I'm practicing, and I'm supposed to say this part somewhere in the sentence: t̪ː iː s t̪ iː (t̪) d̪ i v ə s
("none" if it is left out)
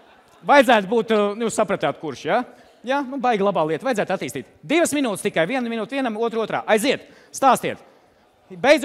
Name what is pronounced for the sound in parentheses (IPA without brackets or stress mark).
t̪